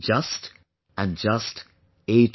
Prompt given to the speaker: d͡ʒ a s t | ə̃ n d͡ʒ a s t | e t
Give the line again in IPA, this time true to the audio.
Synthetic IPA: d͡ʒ ʌ s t | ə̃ n d͡ʒ ʌ s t | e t